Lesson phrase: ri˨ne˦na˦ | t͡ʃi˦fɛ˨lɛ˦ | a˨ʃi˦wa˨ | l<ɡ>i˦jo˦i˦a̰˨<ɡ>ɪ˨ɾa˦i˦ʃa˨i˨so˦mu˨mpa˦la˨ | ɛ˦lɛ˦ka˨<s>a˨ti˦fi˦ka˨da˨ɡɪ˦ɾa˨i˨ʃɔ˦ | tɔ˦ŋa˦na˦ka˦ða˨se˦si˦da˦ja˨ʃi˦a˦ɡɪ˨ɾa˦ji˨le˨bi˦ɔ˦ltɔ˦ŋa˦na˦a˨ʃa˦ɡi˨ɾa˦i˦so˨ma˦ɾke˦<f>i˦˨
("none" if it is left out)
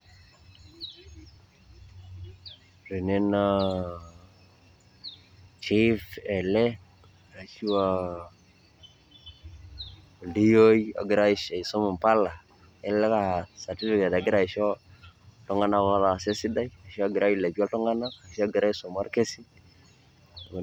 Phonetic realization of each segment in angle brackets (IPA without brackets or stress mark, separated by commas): d, ɡ, s, s